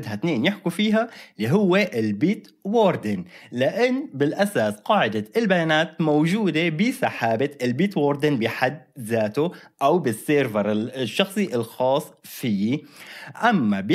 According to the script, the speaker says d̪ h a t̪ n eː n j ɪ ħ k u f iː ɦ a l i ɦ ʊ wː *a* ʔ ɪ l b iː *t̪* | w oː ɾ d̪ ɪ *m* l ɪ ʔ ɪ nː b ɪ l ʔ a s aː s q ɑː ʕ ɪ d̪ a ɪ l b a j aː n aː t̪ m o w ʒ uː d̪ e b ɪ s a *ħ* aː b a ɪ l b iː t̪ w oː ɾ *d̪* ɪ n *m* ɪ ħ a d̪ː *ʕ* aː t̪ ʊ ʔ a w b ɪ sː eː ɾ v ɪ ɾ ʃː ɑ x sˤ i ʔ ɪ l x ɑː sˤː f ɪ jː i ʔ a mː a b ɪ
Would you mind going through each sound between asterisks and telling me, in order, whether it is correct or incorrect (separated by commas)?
incorrect, correct, incorrect, correct, correct, incorrect, incorrect